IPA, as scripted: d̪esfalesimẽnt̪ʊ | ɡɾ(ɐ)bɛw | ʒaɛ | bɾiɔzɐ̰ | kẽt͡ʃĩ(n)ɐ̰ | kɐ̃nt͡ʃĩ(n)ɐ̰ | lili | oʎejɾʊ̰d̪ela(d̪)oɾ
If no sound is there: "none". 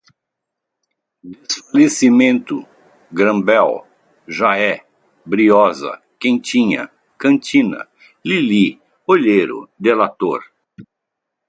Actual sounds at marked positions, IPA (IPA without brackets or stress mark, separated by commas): ɐ̃, ɲ, n, t̪